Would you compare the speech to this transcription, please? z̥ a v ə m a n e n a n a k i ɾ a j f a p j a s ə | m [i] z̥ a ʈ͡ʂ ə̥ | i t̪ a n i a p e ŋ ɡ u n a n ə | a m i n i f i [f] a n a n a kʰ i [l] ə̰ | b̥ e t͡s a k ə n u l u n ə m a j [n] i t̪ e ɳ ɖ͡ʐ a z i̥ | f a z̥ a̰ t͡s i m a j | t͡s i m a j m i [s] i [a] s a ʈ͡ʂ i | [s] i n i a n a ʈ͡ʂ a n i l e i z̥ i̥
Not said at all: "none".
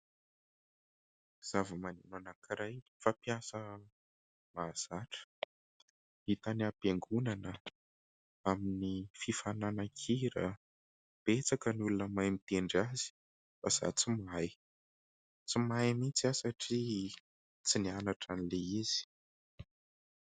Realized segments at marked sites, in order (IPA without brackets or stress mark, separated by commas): a, f, ɾ, m, t͡s, a, t͡s